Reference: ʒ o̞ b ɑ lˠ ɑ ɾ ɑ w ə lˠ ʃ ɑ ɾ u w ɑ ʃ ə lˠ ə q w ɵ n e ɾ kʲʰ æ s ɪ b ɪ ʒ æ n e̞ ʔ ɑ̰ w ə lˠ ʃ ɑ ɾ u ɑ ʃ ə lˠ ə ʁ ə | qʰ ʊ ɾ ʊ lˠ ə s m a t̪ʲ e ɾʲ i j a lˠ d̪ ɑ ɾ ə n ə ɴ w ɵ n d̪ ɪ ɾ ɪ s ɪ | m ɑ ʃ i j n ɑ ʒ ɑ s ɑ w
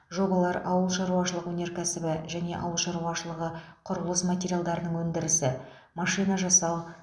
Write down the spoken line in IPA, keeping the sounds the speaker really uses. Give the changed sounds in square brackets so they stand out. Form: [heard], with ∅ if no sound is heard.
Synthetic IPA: ʒ o̞ b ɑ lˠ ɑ ɾ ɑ w ə lˠ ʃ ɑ ɾ u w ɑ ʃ ə lˠ ə q w ɵ n e ɾ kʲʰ æ s ɪ b ɪ ʒ æ n e̞ ʔ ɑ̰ w ə lˠ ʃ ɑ ɾ u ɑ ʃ ə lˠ ə ʁ ə | qʰ ʊ ɾ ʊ lˠ ə s m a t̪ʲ e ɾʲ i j a lˠ d̪ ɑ ɾ ə n ə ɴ w ɵ n d̪ ɪ ɾ ɪ s ɪ | m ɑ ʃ i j n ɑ ʒ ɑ s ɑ w